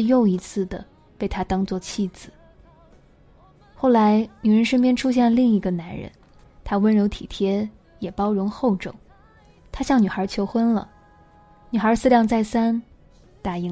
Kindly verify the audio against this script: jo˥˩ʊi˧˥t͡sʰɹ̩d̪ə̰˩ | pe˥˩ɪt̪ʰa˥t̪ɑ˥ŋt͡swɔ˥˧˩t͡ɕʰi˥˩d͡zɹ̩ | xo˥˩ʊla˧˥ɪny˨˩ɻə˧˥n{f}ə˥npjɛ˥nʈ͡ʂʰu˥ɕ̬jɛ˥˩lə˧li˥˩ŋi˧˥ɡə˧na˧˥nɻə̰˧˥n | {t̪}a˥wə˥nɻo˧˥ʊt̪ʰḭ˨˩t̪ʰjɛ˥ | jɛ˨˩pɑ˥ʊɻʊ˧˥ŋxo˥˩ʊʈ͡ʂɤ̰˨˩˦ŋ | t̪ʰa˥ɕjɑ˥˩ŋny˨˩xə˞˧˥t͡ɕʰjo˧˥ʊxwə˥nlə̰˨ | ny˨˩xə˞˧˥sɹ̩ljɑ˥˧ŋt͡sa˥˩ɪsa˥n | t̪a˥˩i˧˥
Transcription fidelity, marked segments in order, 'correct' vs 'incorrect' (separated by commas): incorrect, incorrect